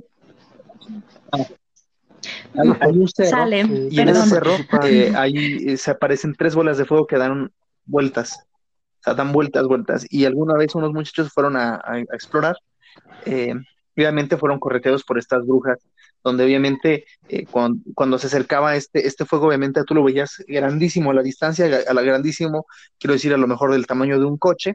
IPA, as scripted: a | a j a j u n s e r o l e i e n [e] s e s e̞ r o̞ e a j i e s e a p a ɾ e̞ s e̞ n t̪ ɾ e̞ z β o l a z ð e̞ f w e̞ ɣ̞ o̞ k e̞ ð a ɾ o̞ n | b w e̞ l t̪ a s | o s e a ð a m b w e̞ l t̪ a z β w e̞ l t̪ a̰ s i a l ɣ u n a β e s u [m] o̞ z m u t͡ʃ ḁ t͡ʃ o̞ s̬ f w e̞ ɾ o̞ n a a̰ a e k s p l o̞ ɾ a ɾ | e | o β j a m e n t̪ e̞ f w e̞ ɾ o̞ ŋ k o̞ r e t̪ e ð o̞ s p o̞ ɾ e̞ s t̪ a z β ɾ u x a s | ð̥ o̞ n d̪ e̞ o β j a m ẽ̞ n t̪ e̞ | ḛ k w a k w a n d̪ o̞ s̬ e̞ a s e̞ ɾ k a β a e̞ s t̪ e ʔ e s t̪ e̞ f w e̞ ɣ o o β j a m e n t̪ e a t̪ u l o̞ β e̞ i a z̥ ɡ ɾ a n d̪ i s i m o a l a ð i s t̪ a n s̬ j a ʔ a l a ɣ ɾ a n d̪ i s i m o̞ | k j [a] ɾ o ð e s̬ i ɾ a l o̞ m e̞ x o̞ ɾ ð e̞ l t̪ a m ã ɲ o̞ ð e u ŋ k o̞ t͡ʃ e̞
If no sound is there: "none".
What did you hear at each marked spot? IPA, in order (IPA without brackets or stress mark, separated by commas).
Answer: e, n, e